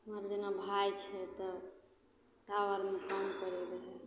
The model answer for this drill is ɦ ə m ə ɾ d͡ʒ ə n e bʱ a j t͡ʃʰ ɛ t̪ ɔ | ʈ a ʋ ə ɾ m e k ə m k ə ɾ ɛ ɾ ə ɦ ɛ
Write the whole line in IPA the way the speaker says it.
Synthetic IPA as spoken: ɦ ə m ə ɾ d͡ʒ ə n a bʱ a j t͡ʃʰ ɛ t̪ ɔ | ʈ a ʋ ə ɾ m e k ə m k ə ɾ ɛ ɾ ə ɦ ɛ